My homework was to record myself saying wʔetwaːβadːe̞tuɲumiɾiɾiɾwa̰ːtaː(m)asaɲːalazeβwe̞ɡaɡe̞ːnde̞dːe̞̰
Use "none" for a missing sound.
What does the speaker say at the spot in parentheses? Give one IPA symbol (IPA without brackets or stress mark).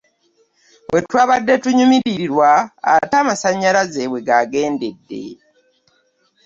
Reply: m